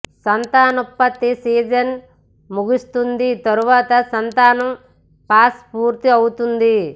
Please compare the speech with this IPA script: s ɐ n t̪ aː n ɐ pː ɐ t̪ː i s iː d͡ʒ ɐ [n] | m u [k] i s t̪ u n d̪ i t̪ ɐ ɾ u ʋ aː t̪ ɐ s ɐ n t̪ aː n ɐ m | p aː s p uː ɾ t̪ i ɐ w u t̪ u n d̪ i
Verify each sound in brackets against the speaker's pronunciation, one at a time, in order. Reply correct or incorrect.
correct, incorrect: ɡ

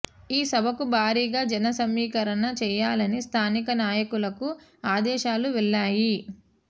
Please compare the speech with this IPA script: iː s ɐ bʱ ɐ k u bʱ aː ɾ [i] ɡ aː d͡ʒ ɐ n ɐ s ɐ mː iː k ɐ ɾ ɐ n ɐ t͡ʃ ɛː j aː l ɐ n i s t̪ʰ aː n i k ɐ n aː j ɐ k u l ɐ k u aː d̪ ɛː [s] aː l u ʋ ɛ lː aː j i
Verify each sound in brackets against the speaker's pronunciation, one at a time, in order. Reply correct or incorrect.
incorrect: iː, incorrect: ʃ

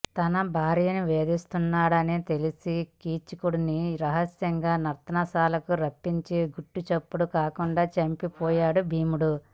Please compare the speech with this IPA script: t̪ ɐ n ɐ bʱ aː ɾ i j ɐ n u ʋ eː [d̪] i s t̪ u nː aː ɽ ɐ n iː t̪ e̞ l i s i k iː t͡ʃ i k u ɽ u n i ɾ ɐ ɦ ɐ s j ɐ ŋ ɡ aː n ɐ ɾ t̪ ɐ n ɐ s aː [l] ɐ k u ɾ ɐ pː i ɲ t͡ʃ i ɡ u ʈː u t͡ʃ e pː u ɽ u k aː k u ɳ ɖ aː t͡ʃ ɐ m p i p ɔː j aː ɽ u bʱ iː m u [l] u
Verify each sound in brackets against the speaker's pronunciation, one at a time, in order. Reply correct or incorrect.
correct, correct, incorrect: ɽ

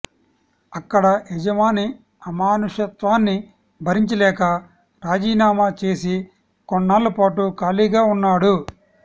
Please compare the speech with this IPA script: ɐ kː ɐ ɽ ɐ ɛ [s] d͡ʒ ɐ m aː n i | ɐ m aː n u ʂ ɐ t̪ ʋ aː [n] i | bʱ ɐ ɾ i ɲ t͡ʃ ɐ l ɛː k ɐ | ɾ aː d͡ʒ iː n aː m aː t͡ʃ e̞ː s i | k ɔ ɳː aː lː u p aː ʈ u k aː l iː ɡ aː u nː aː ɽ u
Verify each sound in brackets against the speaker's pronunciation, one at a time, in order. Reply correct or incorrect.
incorrect: none, incorrect: nː

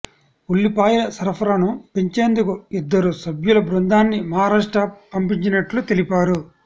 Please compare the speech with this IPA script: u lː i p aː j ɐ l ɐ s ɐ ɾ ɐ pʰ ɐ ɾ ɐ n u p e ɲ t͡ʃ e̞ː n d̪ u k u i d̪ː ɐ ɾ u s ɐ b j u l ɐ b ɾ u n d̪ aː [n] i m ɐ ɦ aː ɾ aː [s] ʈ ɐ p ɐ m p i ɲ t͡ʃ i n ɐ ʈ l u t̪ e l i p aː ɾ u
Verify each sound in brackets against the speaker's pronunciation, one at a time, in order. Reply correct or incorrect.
incorrect: nː, incorrect: ʂ

